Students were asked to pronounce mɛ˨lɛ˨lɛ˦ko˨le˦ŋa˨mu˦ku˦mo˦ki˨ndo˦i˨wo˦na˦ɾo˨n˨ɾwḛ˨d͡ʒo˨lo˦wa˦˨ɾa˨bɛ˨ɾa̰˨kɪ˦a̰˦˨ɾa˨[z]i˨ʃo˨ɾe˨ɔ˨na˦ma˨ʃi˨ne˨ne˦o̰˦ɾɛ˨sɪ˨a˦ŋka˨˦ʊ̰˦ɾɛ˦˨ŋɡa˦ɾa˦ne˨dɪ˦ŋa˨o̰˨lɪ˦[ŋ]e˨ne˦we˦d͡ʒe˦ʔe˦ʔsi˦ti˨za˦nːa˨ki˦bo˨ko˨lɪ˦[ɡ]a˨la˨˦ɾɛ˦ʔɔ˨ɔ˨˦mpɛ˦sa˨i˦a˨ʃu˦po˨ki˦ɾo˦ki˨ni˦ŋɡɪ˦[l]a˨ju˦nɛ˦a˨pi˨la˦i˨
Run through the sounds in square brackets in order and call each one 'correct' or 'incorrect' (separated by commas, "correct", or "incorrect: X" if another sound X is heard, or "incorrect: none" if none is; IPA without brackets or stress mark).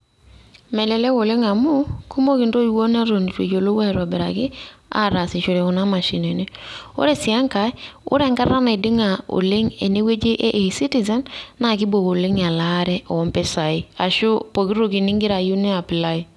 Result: incorrect: s, correct, incorrect: ŋ, incorrect: ɾ